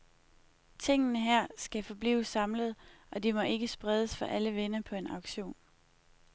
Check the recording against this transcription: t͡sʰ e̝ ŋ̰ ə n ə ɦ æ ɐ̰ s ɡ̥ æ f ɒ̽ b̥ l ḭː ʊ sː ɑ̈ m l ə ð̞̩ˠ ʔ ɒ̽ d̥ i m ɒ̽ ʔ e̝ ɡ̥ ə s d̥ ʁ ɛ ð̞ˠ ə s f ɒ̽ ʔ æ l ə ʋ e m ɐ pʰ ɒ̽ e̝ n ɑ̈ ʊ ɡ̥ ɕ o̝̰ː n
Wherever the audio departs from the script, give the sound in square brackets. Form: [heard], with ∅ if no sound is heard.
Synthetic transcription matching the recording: t͡sʰ e̝ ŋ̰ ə n ə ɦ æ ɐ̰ s ɡ̥ æ f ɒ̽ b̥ l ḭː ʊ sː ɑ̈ m l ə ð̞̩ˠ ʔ ɒ̽ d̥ i m ɒ̽ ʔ e̝ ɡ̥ ə s [b̥] ʁ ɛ ð̞ˠ ə s f ɒ̽ ʔ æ l ə ʋ e [n] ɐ pʰ ɒ̽ e̝ n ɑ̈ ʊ ɡ̥ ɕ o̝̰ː n

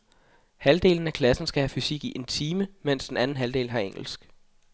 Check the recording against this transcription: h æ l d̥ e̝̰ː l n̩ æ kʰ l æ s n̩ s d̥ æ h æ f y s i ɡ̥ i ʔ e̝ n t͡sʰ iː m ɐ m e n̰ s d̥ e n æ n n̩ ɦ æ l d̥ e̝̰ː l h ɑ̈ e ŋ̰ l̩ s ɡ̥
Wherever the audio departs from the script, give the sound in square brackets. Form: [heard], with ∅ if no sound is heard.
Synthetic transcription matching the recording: h æ l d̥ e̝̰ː l n̩ æ kʰ l æ s n̩ s [ɡ̥] æ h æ f y s i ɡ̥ i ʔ e̝ n t͡sʰ iː m [ə] m e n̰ s d̥ e n æ n n̩ ɦ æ l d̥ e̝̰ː l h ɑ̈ e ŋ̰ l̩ s ɡ̥

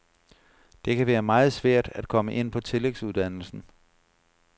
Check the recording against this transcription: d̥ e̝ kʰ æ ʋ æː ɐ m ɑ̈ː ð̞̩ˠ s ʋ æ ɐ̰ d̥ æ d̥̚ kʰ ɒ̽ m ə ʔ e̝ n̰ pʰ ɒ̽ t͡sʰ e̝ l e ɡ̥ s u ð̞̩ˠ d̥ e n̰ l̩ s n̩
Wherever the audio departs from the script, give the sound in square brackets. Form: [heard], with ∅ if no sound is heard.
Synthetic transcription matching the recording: d̥ e̝ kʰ æ ʋ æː ɐ m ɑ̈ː ð̞̩ˠ s ʋ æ ɐ̰ d̥ æ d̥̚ kʰ ɒ̽ m ə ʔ e̝ n̰ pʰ ɒ̽ t͡sʰ e̝ l e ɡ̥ s u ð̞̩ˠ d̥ [æ] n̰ l̩ s n̩

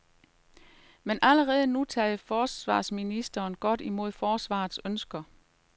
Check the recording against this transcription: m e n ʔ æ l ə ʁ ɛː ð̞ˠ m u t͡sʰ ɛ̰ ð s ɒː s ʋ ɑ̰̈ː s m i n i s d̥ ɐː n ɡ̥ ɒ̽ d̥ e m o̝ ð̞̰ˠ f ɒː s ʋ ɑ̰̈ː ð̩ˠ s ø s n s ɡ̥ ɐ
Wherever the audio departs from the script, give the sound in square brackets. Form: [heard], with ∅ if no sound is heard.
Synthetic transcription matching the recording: m e n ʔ æ l ə ʁ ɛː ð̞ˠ [n] u t͡sʰ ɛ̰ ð [f] ɒː s ʋ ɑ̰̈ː s m i n i s d̥ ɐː n ɡ̥ ɒ̽ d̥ [i] m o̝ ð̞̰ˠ f ɒː s ʋ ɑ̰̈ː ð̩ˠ s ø [∅] n s ɡ̥ ɐ

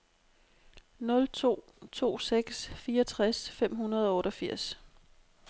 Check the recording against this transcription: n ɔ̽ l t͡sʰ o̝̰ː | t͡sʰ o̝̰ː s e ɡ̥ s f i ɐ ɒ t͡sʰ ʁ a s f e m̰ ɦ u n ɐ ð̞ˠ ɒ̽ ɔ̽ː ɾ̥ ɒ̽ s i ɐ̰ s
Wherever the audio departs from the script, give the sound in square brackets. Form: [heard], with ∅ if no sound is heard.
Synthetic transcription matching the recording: n ɔ̽ l t͡sʰ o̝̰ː | t͡sʰ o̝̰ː s e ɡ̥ s f [iː] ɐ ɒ t͡sʰ ʁ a s f e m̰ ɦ u n ɐ ð̞ˠ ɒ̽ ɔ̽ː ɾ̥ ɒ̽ [f] i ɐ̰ s

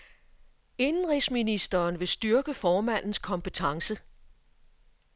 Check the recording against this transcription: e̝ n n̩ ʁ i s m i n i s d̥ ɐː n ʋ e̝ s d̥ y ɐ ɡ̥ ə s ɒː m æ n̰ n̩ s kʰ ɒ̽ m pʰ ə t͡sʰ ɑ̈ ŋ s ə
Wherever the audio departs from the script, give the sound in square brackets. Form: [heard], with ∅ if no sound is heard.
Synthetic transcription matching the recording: e̝ n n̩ ʁ i s m i n i s d̥ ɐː n ʋ e̝ s d̥ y ɐ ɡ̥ ə [f] ɒː m æ n̰ n̩ s kʰ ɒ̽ m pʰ ə t͡sʰ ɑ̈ ŋ s ə

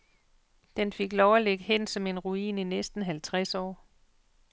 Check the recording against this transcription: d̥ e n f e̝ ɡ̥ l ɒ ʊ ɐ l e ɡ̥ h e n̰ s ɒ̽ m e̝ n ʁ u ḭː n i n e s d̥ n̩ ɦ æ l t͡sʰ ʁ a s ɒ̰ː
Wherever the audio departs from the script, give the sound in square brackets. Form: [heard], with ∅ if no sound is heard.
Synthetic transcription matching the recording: d̥ e n f e̝ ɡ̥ l ɒ ʊ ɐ l e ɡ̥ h e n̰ s ɒ̽ m e̝ n ʁ u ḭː n i n e s d̥ n̩ ɦ æ l t͡sʰ ʁ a s ɒ̰ː

